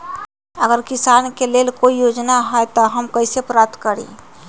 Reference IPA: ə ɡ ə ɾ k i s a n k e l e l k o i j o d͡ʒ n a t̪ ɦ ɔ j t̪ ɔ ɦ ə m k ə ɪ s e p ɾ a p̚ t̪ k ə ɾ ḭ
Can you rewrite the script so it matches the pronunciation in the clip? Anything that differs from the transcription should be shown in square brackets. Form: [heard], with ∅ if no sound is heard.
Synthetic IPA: ə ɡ ə ɾ k i s a n k e l e l k o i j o d͡ʒ n a [∅] ɦ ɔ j t̪ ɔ ɦ ə m k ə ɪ s e p ɾ a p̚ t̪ k ə ɾ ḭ